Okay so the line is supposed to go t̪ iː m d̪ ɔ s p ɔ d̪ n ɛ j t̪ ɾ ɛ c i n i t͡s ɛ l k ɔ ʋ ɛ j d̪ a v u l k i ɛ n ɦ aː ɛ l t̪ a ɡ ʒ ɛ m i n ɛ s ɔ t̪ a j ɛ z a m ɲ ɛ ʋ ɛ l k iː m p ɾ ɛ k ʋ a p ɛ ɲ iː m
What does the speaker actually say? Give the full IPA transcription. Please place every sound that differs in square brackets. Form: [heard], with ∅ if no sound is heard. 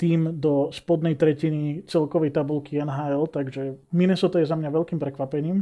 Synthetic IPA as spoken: t̪ iː m d̪ ɔ s p ɔ d̪ n ɛ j t̪ ɾ ɛ c i n i t͡s ɛ l k ɔ ʋ ɛ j [t̪] a [b] u l k i ɛ n ɦ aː ɛ l t̪ a ɡ ʒ ɛ m i n ɛ s ɔ t̪ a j ɛ z a m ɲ [a] ʋ ɛ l k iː m p ɾ ɛ k ʋ a p ɛ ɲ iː m